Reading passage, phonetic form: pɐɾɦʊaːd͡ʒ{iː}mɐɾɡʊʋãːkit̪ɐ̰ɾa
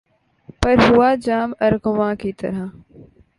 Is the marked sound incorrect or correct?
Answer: incorrect